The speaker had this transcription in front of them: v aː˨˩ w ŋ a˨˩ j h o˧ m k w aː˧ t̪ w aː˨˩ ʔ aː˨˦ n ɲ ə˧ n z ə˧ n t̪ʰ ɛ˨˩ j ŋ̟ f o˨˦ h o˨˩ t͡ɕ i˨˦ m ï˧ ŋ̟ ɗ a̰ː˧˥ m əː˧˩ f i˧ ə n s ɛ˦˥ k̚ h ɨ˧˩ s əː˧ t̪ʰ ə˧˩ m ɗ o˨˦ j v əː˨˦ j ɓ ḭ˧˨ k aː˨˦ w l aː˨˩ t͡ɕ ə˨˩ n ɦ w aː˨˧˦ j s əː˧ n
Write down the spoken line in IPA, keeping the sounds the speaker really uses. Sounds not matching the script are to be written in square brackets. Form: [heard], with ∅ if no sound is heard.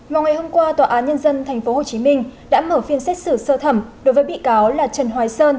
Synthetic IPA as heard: v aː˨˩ w ŋ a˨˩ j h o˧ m k w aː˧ t̪ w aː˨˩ ʔ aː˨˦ n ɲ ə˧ n z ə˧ n t̪ʰ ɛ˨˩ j ŋ̟ f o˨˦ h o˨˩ t͡ɕ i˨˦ m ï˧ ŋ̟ ɗ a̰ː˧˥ m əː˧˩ f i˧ ə n s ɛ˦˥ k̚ [s] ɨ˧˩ s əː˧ t̪ʰ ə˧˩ m ɗ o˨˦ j v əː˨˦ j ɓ ḭ˧˨ k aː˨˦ w l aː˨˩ t͡ɕ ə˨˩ n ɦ w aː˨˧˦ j s əː˧ n